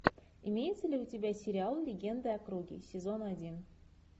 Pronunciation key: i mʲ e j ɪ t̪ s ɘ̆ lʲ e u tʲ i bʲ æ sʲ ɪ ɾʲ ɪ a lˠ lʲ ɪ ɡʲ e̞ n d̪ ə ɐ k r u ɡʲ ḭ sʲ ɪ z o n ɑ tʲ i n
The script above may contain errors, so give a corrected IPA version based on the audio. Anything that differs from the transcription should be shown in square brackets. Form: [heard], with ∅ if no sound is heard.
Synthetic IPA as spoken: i mʲ e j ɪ t̪ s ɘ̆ lʲ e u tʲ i bʲ æ sʲ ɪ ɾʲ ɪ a lˠ lʲ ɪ ɡʲ e̞ n d̪ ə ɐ k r u ɡʲ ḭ sʲ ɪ z o n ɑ [dʲ] i n

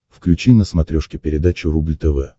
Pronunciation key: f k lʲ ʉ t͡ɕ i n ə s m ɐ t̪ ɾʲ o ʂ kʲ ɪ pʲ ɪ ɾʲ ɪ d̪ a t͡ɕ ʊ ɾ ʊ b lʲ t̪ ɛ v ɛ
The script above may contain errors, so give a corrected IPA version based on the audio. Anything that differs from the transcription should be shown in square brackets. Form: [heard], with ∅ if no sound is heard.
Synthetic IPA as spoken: f k lʲ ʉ t͡ɕ i n ə s m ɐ t̪ ɾʲ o ʂ kʲ ɪ pʲ ɪ ɾʲ ɪ d̪ a t͡ɕ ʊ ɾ [u] b lʲ t̪ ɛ v ɛ

